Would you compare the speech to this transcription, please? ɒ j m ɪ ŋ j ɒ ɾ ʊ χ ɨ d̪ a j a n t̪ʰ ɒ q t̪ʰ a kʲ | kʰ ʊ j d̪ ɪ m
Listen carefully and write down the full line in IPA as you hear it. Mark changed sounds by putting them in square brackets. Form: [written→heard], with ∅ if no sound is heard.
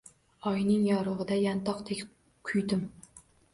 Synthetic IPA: ɒ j [m→n] ɪ ŋ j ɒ ɾ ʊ [χ→ʁ] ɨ d̪ a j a n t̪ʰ ɒ q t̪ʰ [a→e] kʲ | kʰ ʊ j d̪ ɪ m